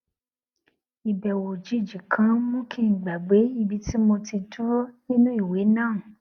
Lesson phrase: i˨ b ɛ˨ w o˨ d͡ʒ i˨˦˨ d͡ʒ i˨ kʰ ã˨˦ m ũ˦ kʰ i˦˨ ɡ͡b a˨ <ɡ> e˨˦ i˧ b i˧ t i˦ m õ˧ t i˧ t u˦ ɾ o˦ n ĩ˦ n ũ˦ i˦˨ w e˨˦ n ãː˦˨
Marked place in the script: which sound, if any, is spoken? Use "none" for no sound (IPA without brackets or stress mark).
ɡ͡b